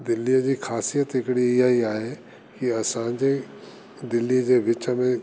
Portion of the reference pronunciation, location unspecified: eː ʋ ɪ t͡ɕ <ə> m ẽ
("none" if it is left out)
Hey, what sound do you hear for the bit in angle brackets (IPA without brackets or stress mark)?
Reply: ə